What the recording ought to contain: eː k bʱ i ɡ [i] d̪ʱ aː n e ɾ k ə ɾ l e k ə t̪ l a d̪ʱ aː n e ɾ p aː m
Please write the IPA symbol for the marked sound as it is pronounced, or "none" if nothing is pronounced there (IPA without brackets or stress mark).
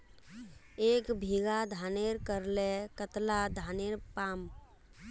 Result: a